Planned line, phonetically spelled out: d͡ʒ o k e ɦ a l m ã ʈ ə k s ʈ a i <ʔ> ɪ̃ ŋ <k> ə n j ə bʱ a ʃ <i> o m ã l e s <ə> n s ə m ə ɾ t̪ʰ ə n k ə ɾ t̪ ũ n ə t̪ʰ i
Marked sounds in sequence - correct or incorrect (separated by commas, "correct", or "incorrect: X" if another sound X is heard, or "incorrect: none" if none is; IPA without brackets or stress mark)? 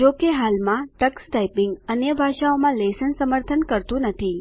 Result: incorrect: p, incorrect: ɡ, incorrect: a, correct